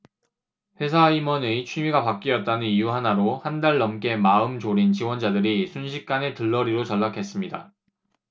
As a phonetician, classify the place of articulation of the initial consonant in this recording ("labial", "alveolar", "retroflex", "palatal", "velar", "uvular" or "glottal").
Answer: labial